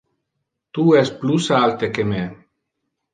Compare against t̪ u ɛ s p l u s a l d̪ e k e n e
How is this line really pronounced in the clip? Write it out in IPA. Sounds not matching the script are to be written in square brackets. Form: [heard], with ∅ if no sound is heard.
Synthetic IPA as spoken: t̪ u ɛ s p l u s a l [t̪] e k e [m] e